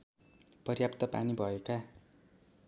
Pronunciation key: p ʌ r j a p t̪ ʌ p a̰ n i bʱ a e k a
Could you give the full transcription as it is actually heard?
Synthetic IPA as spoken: p ʌ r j a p t̪ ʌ p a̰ n i bʱ ʌ e k a